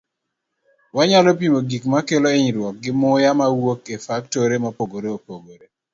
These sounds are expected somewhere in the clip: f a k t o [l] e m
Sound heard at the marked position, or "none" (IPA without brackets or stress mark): ɾ